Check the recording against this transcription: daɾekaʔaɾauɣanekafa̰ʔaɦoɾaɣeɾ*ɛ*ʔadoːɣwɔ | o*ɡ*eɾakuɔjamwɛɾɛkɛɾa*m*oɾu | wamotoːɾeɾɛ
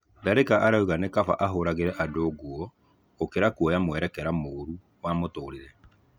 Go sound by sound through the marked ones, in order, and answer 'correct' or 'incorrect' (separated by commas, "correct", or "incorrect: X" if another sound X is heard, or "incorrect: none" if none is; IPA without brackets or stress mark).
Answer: correct, incorrect: k, correct